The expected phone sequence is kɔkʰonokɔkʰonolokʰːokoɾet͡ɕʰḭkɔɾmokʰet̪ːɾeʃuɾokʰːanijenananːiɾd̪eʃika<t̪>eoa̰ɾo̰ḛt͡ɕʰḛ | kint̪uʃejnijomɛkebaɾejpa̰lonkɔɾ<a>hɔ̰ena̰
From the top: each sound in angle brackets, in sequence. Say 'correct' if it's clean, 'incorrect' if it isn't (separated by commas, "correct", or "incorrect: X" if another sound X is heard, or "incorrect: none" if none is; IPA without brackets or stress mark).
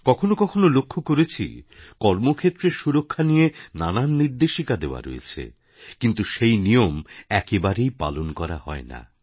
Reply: incorrect: d̪, correct